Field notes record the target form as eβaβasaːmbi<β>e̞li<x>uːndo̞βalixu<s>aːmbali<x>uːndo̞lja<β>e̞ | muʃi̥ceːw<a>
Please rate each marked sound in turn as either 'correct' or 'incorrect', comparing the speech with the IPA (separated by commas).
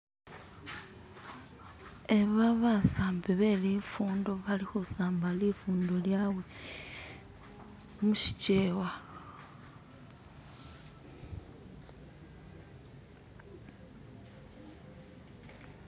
correct, incorrect, correct, incorrect, incorrect, correct